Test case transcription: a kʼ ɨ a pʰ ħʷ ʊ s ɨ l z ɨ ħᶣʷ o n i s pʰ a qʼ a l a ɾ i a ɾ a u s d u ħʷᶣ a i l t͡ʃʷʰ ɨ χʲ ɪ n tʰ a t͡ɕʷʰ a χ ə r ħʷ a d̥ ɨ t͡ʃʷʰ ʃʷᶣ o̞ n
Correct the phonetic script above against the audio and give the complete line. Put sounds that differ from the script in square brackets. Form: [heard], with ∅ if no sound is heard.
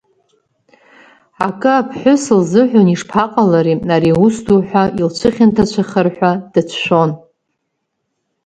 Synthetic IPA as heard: a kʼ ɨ a pʰ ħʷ ʊ s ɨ l z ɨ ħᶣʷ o n i [ʂ] pʰ a qʼ a l a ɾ i a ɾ [i] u s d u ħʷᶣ a i l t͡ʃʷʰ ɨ χʲ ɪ n tʰ a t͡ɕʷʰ a χ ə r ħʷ a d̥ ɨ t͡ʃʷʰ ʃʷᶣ o̞ n